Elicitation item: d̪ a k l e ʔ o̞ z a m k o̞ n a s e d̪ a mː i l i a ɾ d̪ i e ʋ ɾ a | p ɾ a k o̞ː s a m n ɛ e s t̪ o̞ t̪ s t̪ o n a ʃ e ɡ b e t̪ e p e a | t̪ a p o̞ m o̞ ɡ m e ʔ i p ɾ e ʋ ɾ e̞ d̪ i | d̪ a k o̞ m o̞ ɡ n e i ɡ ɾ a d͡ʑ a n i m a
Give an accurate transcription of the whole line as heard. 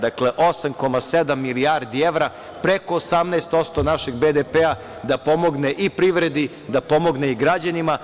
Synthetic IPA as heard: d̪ a k l e ʔ o̞ s a m k o̞ m a s e d̪ a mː i l i a ɾ d̪ i e ʋ ɾ a | p ɾ e k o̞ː s a m n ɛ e s t̪ o̞ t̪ s t̪ o n a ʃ e ɡ b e d̪ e p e a | d̪ a p o̞ m o̞ ɡ n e ʔ i p ɾ i ʋ ɾ e̞ d̪ i | d̪ a p o̞ m o̞ ɡ n e i ɡ ɾ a d͡ʑ a n i m a